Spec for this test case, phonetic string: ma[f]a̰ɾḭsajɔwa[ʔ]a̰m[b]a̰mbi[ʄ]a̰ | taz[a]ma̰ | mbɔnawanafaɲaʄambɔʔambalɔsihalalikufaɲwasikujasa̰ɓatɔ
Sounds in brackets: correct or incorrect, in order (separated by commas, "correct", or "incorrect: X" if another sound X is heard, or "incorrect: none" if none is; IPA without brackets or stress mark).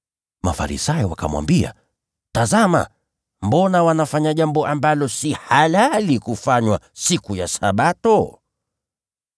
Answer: correct, incorrect: k, incorrect: w, incorrect: none, correct